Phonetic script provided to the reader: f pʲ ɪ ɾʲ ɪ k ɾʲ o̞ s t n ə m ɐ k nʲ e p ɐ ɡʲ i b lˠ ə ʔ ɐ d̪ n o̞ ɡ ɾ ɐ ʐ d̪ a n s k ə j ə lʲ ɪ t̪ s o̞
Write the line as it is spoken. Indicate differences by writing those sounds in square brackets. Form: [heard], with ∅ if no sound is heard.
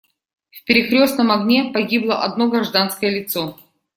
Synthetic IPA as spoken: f pʲ ɪ ɾʲ ɪ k ɾʲ o̞ s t n ə m ɐ [ɡ] nʲ e p ɐ ɡʲ i b lˠ ə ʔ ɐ d̪ n o̞ ɡ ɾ ɐ ʐ d̪ a n s k ə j ə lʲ ɪ t̪ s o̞

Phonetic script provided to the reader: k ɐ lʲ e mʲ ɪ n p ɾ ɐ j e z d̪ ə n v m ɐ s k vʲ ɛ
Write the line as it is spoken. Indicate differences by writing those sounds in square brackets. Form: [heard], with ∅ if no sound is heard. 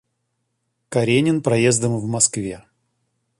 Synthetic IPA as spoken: k ɐ [ɾʲ] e [nʲ] ɪ n p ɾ ɐ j e z d̪ ə [m] v m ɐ s k vʲ [e]

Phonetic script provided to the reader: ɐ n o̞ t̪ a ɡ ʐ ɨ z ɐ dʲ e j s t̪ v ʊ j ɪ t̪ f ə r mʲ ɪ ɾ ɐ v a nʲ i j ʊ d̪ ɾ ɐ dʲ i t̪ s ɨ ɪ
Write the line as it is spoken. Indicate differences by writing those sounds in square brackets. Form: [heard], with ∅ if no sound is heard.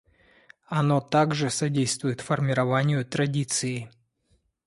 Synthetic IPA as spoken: ɐ n o̞ t̪ a ɡ ʐ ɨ [s] ɐ dʲ e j s t̪ v ʊ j ɪ t̪ f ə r mʲ ɪ ɾ ɐ v a nʲ [ɪ] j ʊ [t̪] ɾ ɐ dʲ i t̪ s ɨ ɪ

